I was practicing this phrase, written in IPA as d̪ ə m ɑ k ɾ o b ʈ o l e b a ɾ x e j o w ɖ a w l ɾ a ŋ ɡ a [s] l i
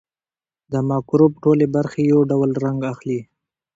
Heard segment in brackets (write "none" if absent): x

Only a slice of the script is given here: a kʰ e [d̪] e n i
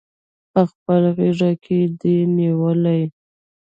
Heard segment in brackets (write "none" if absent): d̪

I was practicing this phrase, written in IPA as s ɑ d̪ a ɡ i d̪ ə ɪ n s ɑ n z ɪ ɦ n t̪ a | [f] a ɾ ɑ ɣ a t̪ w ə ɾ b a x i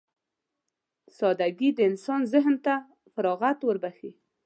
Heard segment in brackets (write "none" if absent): f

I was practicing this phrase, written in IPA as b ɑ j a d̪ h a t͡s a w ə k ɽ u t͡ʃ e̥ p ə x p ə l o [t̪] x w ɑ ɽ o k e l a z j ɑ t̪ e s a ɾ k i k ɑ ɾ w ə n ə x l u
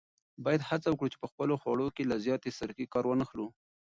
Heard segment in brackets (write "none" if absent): none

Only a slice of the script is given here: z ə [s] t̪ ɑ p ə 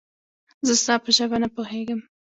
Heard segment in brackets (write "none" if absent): s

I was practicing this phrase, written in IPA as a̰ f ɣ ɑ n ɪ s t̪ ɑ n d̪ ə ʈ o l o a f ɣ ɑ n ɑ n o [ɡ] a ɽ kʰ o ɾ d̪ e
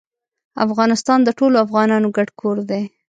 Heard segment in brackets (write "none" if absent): ɡ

